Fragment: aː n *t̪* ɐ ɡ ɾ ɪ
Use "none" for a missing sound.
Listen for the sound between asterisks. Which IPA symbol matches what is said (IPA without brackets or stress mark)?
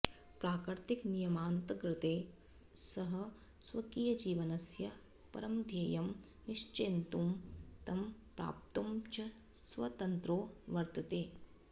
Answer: t̪